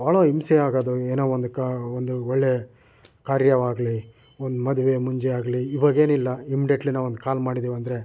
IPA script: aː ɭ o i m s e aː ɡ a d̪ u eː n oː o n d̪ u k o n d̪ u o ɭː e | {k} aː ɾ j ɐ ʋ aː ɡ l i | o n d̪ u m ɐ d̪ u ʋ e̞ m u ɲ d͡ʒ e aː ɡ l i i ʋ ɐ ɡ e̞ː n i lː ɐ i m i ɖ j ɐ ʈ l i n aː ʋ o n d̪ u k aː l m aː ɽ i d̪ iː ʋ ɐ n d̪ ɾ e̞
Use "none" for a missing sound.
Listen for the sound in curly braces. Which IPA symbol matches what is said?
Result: k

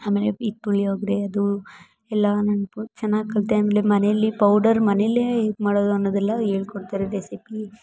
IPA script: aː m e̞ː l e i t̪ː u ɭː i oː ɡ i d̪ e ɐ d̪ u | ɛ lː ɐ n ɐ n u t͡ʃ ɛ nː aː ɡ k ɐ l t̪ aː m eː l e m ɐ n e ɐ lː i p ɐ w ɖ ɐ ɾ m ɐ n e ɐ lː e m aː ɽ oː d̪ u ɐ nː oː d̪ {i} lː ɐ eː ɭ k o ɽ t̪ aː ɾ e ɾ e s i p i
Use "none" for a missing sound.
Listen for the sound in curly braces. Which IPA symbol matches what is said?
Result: ɛ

